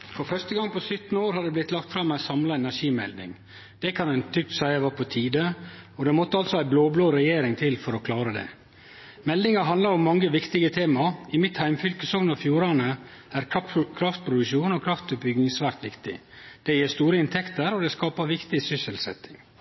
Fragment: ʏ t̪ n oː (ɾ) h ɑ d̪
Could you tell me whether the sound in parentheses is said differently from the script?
no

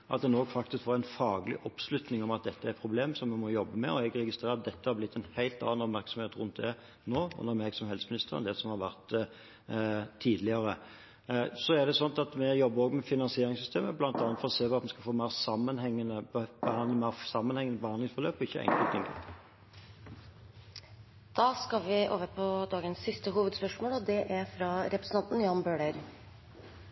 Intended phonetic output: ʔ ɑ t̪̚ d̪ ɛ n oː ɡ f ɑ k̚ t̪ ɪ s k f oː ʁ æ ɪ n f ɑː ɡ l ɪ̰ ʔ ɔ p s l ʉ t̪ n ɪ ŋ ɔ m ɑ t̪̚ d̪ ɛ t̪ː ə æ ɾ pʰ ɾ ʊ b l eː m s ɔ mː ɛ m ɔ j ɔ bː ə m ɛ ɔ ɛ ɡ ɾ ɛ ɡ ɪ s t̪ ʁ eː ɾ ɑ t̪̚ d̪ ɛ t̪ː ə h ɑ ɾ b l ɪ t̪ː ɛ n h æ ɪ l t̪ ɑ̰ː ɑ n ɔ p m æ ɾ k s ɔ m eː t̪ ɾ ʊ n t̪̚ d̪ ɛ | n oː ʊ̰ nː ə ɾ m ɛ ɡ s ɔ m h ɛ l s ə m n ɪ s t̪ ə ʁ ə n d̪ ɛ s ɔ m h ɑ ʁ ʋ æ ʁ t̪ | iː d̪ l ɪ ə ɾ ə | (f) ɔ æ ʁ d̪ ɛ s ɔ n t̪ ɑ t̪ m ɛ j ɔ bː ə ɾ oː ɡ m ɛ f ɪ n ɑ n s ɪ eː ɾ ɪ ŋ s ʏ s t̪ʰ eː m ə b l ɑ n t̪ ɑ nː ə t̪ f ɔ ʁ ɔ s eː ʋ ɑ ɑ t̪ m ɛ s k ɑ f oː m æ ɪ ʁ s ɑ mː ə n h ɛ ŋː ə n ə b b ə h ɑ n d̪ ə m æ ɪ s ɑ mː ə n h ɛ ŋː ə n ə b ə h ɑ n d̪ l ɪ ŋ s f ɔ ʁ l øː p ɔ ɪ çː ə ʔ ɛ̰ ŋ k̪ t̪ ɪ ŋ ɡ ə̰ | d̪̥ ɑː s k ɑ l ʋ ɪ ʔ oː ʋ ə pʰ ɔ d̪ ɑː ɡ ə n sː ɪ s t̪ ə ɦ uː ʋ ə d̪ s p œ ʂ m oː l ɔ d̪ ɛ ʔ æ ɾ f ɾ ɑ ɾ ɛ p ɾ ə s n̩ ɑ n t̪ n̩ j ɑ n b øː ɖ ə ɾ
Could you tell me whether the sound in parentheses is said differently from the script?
yes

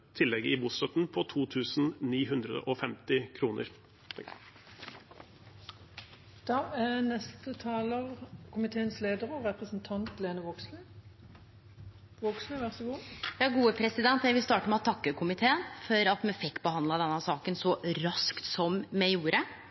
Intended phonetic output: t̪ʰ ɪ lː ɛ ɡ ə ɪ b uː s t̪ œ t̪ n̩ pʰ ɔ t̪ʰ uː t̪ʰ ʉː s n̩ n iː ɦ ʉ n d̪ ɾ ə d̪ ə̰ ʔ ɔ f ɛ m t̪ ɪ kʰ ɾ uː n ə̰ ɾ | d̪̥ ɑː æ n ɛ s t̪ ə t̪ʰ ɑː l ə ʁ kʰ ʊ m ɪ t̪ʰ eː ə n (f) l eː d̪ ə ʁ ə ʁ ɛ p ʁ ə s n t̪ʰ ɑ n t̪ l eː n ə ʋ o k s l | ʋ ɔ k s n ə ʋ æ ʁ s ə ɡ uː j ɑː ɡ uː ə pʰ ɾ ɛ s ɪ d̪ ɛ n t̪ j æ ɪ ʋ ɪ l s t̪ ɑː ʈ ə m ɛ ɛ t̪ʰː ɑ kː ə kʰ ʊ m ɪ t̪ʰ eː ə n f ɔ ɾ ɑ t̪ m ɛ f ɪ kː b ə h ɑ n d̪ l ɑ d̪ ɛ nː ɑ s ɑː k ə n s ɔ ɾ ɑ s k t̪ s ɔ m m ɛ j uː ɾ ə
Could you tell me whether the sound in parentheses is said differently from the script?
yes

